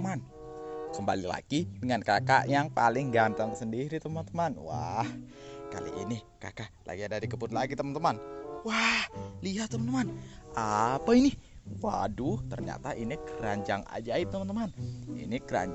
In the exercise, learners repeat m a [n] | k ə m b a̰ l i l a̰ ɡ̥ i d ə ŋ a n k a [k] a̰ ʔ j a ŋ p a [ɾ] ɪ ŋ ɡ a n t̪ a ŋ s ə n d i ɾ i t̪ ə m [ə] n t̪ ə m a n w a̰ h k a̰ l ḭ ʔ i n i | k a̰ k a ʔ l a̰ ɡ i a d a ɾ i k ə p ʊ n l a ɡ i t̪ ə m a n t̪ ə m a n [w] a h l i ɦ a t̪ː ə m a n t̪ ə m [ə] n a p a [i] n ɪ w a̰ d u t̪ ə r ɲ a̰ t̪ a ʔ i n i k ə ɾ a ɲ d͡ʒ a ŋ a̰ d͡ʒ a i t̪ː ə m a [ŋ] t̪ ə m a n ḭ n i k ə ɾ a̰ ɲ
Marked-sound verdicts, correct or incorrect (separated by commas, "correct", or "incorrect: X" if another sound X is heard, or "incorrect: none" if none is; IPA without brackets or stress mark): correct, correct, incorrect: l, incorrect: a, correct, incorrect: a, correct, incorrect: n